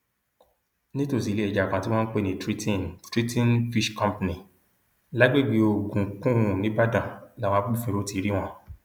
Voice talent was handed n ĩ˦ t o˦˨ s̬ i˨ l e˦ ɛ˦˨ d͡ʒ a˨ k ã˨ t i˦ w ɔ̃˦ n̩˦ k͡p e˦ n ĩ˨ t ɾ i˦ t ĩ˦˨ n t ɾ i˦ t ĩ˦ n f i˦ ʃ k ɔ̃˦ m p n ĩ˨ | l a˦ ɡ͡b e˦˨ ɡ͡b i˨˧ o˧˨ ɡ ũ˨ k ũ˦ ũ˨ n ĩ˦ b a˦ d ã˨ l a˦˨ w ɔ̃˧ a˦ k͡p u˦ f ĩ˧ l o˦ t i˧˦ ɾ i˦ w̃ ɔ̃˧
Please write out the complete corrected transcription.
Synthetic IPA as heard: n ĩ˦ t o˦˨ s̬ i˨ l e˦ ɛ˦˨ d͡ʒ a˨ k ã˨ t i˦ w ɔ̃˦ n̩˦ k͡p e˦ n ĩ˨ t ɾ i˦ t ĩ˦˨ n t ɾ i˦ t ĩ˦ n f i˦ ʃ k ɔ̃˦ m p n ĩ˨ | l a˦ ɡ͡b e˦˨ ɡ͡b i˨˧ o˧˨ ɡ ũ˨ k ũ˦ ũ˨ n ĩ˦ b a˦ d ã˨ l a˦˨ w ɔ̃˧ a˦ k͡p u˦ f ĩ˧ ɾ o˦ t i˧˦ ɾ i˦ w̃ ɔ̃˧